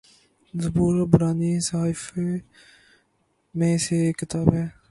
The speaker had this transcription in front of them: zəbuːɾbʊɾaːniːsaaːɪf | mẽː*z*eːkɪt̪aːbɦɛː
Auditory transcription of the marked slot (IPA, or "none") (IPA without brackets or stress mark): s